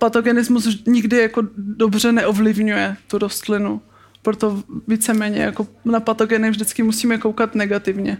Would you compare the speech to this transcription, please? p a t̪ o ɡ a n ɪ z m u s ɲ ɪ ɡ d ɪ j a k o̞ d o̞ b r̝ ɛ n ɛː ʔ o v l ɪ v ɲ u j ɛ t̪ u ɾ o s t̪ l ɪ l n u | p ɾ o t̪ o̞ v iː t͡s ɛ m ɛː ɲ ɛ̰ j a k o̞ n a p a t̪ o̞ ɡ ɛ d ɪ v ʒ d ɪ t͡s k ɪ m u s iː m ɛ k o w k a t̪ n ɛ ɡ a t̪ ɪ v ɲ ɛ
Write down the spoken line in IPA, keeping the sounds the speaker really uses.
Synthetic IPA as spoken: p a t̪ o ɡ ɛ n ɪ z m u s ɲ ɪ ɡ d ɪ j a k o̞ d o̞ b r̝ ɛ n ɛ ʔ o v l ɪ v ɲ u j ɛ t̪ u ɾ o s t̪ l ɪ n u | p ɾ o t̪ o̞ v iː t͡s ɛ m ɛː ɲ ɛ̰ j a k o̞ n a p a t̪ o̞ ɡ ɛ n ɪ v ʒ d ɪ t͡s k ɪ m u s iː m ɛ k o w k a t̪ n ɛ ɡ a t̪ ɪ v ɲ ɛ